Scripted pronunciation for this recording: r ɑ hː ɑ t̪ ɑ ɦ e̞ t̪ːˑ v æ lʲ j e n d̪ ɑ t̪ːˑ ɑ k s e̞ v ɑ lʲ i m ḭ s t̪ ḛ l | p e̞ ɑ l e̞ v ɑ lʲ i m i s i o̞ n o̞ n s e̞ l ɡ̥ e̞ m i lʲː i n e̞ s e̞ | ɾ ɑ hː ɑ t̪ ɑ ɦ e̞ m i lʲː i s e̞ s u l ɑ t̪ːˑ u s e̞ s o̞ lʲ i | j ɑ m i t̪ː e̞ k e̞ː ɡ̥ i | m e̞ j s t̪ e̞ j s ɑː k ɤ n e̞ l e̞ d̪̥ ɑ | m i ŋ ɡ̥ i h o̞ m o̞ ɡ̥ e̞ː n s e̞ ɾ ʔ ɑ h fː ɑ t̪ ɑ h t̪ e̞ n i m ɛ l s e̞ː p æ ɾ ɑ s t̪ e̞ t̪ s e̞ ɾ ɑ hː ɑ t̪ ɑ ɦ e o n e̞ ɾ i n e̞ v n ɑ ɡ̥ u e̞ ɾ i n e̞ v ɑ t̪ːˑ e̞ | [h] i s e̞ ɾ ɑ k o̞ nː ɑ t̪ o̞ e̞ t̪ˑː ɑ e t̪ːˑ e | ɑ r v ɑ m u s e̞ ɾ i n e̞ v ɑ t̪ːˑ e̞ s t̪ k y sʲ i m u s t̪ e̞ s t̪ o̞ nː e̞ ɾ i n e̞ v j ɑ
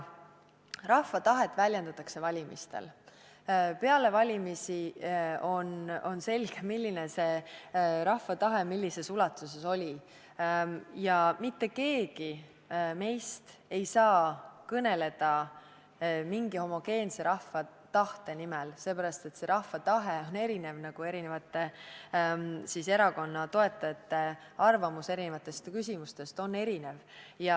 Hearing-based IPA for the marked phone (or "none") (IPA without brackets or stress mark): s